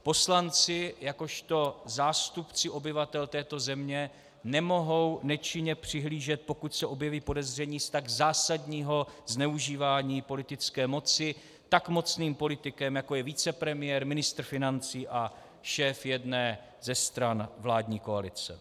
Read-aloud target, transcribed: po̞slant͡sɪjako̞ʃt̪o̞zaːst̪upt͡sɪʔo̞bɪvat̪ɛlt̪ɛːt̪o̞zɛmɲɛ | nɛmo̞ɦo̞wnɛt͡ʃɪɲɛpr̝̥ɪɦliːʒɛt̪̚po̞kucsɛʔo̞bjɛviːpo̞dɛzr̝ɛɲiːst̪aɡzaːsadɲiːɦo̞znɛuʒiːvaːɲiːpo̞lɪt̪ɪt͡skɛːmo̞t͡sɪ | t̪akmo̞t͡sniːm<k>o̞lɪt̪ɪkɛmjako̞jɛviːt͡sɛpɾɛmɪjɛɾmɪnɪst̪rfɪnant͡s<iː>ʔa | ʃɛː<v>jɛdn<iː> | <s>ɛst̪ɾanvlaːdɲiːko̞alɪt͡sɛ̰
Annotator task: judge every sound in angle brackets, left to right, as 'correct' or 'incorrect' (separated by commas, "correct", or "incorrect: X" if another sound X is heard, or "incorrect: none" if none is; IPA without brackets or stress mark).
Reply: incorrect: p, correct, incorrect: f, incorrect: ɛː, incorrect: z